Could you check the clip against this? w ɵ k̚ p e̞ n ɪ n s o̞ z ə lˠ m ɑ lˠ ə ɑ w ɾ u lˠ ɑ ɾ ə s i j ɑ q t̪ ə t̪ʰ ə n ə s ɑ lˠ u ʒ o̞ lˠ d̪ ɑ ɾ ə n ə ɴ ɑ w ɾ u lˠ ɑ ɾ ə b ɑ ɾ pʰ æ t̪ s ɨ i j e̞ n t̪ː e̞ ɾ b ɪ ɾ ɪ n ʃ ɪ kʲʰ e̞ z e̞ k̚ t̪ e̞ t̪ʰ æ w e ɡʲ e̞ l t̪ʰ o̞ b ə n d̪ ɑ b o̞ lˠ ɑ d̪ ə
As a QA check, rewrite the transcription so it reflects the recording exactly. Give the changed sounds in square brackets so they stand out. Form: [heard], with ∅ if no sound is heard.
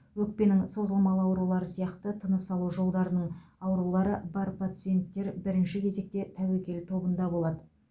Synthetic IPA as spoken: w ɵ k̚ p e̞ n ɪ [ŋ] s o̞ z ə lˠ m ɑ lˠ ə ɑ w ɾ u lˠ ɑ ɾ ə s i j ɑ q t̪ ə t̪ʰ ə n ə s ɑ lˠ u ʒ o̞ lˠ d̪ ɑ ɾ ə n ə ɴ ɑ w ɾ u lˠ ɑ ɾ ə b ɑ ɾ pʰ [a] t̪ s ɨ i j e̞ n t̪ː e̞ ɾ b ɪ ɾ ɪ n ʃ ɪ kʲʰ e̞ z e̞ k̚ t̪ e̞ t̪ʰ æ w e [kʲ] e̞ l t̪ʰ o̞ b ə n d̪ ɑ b o̞ lˠ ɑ d̪ ə